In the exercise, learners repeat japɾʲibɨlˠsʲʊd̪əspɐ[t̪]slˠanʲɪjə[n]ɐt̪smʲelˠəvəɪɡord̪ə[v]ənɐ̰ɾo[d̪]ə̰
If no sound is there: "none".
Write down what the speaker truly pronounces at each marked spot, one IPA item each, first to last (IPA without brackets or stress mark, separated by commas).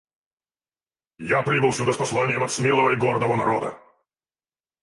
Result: none, m, v, d̪